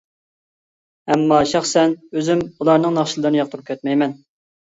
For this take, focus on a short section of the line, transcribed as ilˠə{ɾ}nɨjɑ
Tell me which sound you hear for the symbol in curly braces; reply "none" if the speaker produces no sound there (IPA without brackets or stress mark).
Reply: ɾ